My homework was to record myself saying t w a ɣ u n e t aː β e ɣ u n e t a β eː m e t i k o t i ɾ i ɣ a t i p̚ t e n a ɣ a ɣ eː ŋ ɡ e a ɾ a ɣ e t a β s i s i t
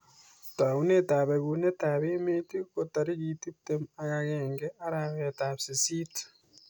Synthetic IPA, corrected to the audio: t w a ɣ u n e t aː β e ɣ u n e t a β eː m e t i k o t a ɾ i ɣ i t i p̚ t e m a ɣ a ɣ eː ŋ ɡ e a ɾ a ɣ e t a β s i s i t